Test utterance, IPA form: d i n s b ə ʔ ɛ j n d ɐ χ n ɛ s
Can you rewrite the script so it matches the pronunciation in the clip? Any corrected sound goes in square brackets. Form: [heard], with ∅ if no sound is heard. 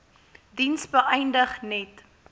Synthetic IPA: d i n s b ə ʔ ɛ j n d [ə] χ n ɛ [t]

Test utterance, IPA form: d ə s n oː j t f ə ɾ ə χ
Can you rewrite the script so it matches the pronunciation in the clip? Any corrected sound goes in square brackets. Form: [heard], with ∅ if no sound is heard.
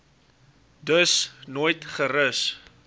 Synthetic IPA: d ə s n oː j t [χ] ə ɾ ə [s]

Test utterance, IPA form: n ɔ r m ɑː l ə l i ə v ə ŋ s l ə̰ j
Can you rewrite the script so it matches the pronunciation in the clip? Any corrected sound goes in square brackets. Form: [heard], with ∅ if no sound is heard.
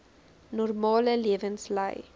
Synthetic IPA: n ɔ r m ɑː l ə l i ə v ə [n] s l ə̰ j

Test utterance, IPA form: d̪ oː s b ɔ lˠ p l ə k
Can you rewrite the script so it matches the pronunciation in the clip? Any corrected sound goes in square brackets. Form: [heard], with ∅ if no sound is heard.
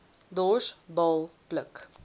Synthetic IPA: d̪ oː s b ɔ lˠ p l ə k

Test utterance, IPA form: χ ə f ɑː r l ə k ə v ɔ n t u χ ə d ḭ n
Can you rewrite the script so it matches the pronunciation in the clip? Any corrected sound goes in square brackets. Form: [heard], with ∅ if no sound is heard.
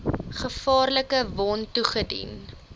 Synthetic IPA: χ ə f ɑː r l ə k ə v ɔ n t u χ ə d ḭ n

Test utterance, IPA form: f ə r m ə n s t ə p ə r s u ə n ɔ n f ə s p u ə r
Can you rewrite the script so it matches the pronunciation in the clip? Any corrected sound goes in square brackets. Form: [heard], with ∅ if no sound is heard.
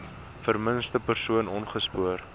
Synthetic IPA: f ə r m ə n s t ə p ə r s u ə n ɔ n [χ] ə s p u ə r

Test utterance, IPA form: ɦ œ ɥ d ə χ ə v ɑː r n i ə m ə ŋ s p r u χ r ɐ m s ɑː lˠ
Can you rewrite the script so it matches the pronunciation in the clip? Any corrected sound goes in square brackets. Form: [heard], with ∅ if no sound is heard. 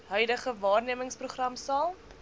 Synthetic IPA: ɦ œ ɥ d ə χ ə v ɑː r n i ə m ə ŋ s p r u χ r ɐ m s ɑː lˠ

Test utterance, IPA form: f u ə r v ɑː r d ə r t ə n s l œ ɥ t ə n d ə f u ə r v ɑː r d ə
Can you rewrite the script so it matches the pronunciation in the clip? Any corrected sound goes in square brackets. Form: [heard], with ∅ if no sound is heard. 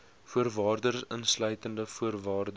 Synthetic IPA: f u ə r v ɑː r d ə r [s] ə n s l œ ɥ t ə n d ə f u ə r v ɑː r d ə

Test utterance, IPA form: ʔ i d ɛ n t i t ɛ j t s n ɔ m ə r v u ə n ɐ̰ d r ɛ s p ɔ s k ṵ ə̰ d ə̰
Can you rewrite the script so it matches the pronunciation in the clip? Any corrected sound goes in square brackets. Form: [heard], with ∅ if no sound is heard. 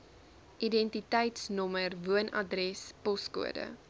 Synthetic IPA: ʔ i d ɛ n t i t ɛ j t s n ɔ m ə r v u ə n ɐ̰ d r ɛ s p ɔ s k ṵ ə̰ d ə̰

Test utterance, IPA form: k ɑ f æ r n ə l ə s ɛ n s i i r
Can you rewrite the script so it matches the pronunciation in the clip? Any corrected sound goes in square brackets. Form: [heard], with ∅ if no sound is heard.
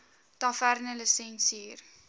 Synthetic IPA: [t] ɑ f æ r n ə l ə s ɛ n s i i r

